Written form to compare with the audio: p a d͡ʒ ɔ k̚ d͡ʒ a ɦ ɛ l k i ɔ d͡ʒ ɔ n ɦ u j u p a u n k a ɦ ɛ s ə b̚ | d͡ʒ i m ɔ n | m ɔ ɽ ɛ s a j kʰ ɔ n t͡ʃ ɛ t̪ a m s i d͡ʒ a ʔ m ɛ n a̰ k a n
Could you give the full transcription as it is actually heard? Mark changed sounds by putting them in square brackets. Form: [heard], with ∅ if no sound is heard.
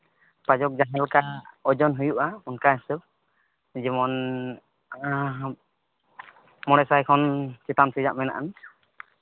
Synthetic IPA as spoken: p a d͡ʒ ɔ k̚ d͡ʒ a ɦ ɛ l k [a] ɔ d͡ʒ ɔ n ɦ u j u [ʔ] a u n k a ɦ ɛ s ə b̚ | d͡ʒ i m ɔ n | m ɔ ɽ ɛ s a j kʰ ɔ n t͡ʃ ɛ t̪ a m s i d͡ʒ a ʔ m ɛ n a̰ [ʔ] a n